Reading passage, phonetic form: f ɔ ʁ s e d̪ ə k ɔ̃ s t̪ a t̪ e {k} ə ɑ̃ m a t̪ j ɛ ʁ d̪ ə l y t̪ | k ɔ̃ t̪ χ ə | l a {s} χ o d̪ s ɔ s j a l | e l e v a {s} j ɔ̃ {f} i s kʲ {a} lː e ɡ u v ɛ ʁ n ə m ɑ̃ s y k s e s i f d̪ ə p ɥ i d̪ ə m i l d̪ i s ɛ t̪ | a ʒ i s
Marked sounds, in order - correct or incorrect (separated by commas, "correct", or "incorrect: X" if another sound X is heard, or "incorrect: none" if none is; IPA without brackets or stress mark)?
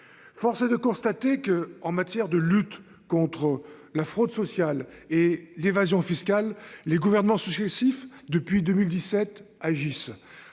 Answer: correct, incorrect: f, incorrect: z, correct, correct